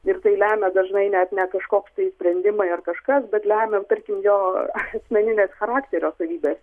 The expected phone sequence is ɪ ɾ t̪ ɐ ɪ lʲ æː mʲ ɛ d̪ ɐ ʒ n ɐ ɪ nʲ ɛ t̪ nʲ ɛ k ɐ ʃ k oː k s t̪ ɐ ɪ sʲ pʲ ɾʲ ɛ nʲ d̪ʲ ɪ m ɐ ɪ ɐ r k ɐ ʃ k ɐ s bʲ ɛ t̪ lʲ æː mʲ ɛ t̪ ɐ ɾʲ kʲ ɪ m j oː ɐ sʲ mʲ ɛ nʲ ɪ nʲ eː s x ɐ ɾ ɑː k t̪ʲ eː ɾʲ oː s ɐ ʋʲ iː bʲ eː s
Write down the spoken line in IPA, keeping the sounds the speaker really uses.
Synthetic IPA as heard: ɪ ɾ t̪ ɐ ɪ lʲ æː mʲ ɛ d̪ ɐ ʒ n ɐ ɪ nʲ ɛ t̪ nʲ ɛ k ɐ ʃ k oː k s t̪ ɐ ɪ sʲ pʲ ɾʲ ɛ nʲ d̪ʲ ɪ m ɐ ɪ ɐ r k ɐ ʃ k ɐ s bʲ ɛ t̪ lʲ æː mʲ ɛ t̪ ɐ ɾʲ kʲ ɪ m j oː ɐ sʲ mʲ ɛ nʲ ɪ nʲ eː s x ɐ ɾ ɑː k t̪ʲ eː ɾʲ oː s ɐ ʋʲ iː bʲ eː s